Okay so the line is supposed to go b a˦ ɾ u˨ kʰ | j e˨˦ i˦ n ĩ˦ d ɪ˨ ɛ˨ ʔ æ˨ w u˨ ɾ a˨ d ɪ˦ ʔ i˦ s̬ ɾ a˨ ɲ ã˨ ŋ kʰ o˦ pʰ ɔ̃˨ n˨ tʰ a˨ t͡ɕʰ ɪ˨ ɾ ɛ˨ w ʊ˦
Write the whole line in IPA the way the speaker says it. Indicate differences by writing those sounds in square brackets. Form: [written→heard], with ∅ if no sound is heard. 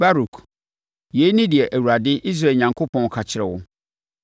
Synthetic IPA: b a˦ ɾ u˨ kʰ | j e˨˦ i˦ n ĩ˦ d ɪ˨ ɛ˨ ʔ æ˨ w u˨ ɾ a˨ d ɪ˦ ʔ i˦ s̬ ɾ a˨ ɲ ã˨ ŋ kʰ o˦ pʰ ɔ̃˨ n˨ [tʰ→kʰ] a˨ t͡ɕʰ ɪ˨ ɾ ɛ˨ w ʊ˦

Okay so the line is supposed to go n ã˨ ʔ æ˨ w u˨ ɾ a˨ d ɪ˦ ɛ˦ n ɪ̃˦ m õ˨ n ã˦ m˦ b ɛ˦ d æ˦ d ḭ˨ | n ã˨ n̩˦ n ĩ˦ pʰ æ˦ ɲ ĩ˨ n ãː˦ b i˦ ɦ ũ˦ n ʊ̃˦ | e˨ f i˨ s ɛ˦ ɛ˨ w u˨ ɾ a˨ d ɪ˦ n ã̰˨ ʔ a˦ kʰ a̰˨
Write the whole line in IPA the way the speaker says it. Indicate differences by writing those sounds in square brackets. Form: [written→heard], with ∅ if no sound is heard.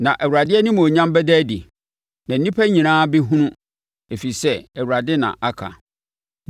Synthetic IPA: n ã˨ ʔ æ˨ w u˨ ɾ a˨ d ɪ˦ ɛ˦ n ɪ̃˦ m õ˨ [n→ɲ] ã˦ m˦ b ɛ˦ d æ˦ d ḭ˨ | n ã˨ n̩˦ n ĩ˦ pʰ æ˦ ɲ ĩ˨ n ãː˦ b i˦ ɦ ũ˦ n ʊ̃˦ | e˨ f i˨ s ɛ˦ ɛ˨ w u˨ ɾ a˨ d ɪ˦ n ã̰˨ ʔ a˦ kʰ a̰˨

